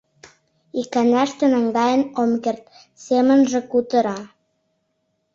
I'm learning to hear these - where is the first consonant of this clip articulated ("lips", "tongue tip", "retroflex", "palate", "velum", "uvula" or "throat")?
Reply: velum